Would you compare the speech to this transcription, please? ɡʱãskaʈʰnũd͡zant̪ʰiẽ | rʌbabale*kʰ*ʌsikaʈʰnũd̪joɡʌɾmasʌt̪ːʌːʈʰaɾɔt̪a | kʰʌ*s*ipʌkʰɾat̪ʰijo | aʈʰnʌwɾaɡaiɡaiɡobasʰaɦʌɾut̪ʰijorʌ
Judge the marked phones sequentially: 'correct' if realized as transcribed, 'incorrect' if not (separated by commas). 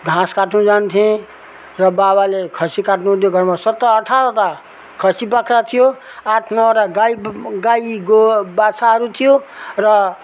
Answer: correct, correct